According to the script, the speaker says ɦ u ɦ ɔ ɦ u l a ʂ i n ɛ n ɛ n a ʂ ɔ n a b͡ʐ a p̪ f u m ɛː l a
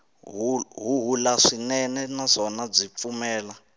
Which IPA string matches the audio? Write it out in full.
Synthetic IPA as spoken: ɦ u ɦ u ɦ u l a ʂ i n ɛ n ɛ n a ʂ ɔ n a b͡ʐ i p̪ f u m ɛː l a